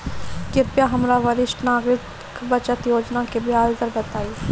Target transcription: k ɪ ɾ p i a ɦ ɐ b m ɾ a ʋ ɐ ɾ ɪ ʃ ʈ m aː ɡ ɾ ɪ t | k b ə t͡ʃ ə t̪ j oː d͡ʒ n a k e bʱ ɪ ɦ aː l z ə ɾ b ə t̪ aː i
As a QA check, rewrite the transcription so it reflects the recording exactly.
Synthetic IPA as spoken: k ɪ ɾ p j a ɦ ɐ m ɾ a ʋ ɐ ɾ ɪ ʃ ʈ n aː ɡ ɾ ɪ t | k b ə t͡ʃ ə t̪ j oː d͡ʒ n a k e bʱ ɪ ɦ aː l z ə ɾ b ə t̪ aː i